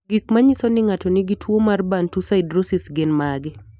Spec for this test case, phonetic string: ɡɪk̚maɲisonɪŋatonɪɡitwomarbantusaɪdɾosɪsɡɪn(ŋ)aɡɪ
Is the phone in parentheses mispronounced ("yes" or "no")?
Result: yes